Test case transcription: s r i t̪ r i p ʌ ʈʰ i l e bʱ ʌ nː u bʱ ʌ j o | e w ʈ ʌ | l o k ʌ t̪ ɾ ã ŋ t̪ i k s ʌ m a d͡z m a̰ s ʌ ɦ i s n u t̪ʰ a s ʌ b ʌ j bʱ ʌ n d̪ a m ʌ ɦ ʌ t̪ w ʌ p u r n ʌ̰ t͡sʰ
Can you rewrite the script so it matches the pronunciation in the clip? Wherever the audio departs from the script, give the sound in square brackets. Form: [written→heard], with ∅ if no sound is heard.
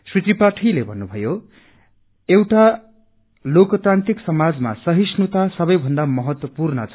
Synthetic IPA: s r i t̪ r i p [ʌ→a] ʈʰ i l e bʱ ʌ nː u bʱ ʌ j o | e w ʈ [ʌ→a] | l o k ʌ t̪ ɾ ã [ŋ→n] t̪ i k s ʌ m a d͡z m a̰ s ʌ ɦ i s n u [t̪ʰ→t̪] a s ʌ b ʌ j bʱ ʌ n d̪ a m ʌ ɦ ʌ t̪ w ʌ p u r n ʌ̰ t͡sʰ